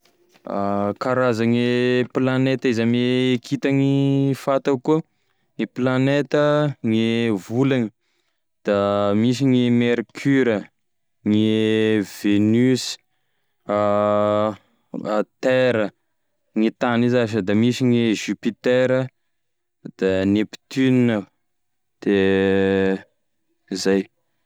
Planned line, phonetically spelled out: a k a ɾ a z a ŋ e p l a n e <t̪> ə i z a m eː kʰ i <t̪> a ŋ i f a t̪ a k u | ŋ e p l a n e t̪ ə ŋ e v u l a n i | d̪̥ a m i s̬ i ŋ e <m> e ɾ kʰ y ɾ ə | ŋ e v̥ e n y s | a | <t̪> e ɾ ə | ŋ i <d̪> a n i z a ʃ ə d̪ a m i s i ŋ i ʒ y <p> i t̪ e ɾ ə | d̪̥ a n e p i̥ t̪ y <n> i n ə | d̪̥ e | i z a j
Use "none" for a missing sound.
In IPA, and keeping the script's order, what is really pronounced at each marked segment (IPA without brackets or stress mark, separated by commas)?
t̪, t̪, m, t̪, t̪, p, n